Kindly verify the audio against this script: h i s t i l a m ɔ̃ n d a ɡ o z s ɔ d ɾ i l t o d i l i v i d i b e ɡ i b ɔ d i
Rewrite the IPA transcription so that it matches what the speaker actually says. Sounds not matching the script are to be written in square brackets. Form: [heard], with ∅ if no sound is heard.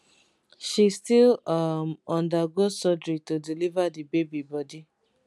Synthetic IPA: [ʃ] i s t i l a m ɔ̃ n d a ɡ o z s ɔ d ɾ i [∅] t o d i l i v [a] d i b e [b] i b ɔ d i